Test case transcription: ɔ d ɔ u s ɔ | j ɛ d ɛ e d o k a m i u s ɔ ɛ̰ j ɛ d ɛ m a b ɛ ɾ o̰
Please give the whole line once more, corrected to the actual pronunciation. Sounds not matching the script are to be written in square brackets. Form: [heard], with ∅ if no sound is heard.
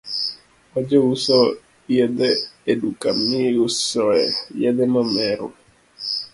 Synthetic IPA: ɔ [d͡ʒ] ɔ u s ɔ | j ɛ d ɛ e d [u] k a m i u s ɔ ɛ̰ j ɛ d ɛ m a [m] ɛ ɾ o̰